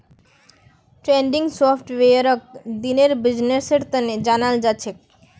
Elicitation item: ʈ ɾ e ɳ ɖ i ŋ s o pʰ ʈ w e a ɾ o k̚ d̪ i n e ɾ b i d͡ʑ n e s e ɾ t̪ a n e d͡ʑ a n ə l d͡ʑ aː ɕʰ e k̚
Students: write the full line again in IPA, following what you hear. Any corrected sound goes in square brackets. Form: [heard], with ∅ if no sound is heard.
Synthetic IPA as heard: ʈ ɾ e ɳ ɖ i ŋ s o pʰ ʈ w e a ɾ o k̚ d̪ i n e ɾ b i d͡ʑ n e s e ɾ t̪ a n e d͡ʑ a n [a] l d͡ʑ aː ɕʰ e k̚

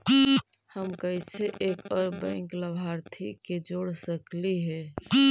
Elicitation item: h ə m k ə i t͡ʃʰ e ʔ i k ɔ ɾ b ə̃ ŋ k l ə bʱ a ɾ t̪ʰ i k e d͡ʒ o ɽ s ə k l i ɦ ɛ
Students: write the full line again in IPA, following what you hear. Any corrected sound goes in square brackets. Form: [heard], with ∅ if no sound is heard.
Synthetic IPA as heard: h ə m k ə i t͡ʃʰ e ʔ [e] k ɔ ɾ b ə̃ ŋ k l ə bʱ a ɾ t̪ʰ i k e d͡ʒ o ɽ s ə k l i ɦ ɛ

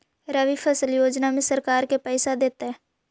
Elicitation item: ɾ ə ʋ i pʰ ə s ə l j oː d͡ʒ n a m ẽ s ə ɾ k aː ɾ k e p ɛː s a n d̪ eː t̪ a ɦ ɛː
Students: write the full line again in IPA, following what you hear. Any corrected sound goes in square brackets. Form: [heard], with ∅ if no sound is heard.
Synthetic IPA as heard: ɾ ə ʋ i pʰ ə s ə l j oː d͡ʒ n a m ẽ s ə ɾ k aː ɾ k e p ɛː s a [∅] d̪ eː t̪ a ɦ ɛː

